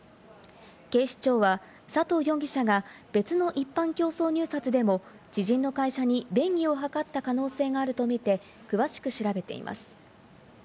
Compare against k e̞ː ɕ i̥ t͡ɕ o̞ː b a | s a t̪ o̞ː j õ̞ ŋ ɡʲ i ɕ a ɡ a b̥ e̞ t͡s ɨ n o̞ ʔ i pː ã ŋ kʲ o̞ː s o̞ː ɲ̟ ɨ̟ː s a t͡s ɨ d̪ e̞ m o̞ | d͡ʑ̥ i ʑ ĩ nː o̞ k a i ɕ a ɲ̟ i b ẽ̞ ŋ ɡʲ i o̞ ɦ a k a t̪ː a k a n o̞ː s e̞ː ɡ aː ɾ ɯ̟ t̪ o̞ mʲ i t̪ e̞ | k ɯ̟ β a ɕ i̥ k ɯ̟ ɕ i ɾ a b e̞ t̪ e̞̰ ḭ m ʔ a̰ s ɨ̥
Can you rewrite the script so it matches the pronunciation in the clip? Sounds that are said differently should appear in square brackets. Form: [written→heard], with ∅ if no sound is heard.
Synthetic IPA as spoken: k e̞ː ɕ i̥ t͡ɕ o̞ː [b→β] a | s a t̪ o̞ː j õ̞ ŋ ɡʲ i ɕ a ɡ a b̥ e̞ t͡s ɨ n o̞ ʔ i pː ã ŋ kʲ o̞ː s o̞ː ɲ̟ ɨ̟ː s a t͡s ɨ d̪ e̞ m o̞ | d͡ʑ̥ i ʑ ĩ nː o̞ k a i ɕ a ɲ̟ i b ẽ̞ ŋ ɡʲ i o̞ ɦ a k a t̪ː a k a n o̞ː s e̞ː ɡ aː ɾ ɯ̟ t̪ o̞ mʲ i t̪ e̞ | k ɯ̟ β a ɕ i̥ k ɯ̟ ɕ i ɾ a b e̞ t̪ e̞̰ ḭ m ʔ a̰ s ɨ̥